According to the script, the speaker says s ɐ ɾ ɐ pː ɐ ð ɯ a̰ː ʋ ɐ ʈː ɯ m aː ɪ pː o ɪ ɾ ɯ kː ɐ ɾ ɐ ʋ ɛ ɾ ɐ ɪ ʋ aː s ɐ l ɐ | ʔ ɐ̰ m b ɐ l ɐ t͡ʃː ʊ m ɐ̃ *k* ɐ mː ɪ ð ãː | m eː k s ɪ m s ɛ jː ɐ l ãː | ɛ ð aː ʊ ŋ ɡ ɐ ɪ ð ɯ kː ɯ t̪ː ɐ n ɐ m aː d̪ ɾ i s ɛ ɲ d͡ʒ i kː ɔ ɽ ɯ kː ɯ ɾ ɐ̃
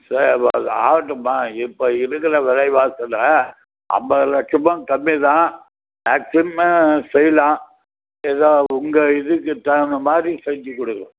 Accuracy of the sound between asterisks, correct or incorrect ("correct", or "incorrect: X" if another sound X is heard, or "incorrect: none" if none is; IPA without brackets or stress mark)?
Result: correct